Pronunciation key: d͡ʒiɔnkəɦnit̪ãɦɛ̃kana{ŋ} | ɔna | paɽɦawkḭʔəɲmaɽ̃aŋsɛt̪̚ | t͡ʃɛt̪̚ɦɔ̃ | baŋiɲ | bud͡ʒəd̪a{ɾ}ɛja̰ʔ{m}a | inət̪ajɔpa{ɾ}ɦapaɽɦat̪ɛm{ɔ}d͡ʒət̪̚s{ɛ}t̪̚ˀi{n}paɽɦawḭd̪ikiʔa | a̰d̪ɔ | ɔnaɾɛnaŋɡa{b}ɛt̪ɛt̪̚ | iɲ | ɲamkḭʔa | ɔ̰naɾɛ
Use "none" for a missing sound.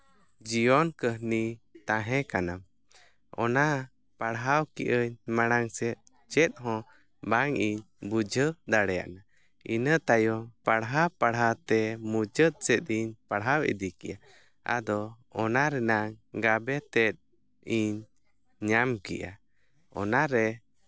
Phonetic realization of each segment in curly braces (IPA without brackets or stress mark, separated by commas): m, ɽ, n, ɽ, u, ɛ, ɲ, b